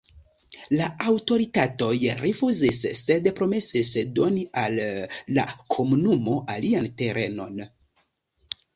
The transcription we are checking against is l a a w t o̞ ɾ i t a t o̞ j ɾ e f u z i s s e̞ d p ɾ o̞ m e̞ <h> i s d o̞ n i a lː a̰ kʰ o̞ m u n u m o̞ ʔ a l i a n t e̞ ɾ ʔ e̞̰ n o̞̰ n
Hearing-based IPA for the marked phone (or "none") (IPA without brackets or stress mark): s